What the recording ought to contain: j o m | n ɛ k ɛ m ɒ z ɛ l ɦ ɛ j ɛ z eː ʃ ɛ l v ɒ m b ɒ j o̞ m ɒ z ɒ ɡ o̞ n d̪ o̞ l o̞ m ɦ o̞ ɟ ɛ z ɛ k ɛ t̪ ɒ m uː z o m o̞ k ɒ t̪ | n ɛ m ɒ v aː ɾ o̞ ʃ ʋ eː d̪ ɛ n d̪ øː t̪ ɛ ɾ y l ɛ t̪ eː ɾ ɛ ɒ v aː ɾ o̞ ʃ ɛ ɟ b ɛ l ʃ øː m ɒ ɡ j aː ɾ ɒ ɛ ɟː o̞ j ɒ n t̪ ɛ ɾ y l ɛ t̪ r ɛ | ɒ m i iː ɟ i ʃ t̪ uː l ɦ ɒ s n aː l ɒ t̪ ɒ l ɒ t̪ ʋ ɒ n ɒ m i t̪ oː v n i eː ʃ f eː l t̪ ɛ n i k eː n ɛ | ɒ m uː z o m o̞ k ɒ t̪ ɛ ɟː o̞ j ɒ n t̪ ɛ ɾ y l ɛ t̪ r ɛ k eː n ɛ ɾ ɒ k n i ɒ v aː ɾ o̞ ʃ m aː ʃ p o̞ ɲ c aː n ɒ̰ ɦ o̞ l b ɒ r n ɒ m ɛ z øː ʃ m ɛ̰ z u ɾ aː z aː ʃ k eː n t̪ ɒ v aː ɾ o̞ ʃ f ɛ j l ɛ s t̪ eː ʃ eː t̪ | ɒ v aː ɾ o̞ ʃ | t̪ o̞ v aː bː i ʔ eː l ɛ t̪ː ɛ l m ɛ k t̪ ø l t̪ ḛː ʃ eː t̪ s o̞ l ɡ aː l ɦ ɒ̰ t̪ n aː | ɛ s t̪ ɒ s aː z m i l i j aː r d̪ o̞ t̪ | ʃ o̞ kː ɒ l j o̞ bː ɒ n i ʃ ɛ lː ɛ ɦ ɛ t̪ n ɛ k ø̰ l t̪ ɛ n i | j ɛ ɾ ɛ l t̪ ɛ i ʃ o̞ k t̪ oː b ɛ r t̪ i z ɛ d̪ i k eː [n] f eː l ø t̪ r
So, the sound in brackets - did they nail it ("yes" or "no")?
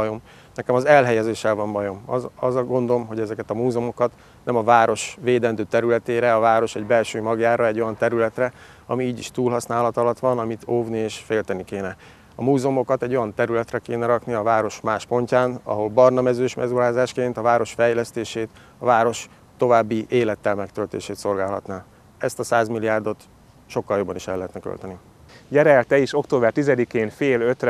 yes